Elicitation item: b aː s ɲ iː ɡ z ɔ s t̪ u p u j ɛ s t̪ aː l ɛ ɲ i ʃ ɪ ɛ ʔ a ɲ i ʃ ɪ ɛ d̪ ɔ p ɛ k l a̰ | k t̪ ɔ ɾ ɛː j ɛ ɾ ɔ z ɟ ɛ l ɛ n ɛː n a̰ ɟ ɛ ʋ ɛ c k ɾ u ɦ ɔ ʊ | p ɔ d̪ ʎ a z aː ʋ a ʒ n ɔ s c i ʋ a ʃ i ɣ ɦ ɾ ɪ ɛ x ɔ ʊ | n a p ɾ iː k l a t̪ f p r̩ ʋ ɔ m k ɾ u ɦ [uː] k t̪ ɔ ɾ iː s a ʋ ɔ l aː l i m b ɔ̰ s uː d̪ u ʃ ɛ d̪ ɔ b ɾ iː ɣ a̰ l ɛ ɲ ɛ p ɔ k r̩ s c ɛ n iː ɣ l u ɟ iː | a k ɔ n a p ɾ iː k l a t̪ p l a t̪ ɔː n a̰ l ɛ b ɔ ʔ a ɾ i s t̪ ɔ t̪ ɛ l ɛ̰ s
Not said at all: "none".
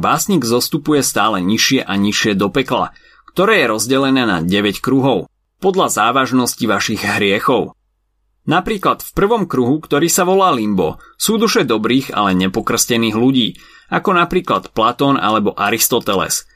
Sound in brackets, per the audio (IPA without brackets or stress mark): u